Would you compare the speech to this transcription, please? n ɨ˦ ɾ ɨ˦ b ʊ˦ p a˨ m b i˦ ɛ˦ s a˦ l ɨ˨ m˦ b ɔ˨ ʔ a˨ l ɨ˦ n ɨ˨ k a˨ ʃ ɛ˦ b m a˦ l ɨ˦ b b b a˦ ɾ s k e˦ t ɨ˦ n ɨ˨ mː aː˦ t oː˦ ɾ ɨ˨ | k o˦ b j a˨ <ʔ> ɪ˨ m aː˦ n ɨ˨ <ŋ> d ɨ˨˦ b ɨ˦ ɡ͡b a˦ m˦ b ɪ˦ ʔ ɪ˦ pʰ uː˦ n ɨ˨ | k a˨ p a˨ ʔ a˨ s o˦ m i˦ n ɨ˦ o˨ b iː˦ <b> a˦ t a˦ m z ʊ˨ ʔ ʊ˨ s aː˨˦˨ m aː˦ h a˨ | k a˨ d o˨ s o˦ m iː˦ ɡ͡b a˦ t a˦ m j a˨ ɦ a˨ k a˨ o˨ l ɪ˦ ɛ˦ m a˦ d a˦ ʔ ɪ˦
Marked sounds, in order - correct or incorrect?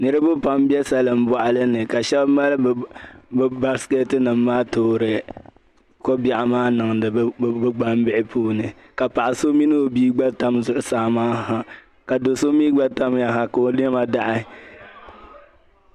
correct, correct, incorrect: ɡ͡b

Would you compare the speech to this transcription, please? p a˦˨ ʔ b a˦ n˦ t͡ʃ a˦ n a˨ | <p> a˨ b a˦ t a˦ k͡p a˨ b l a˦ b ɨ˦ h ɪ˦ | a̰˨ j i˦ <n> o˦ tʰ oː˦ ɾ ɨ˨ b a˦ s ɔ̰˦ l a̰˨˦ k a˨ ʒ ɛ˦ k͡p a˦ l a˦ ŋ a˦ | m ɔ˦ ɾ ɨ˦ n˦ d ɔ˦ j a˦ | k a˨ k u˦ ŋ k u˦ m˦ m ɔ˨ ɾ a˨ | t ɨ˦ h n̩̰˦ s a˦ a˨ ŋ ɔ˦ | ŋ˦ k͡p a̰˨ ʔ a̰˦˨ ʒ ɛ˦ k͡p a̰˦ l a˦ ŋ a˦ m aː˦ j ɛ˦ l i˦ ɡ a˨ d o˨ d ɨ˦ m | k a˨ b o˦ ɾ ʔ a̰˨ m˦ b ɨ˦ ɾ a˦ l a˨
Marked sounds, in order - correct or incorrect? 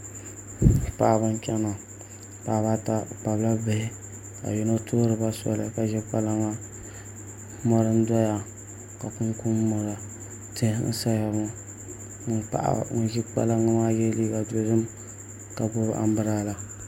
correct, correct

